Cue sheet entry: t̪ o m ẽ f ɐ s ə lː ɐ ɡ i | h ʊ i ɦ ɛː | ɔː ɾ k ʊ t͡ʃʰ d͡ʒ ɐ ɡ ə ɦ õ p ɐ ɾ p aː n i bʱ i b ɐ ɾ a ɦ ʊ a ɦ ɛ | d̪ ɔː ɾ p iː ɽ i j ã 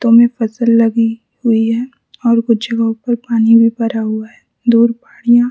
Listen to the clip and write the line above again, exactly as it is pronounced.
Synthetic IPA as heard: t̪ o m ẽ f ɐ s ə lː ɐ ɡ i | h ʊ i ɦ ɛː | ɔː ɾ k ʊ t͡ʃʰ d͡ʒ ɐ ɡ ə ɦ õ p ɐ ɾ p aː n i bʱ i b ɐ ɾ a ɦ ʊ a ɦ ɛ | d̪ uː ɾ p aː ɽ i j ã